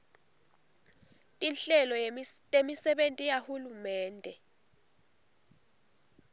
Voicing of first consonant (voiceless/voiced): voiceless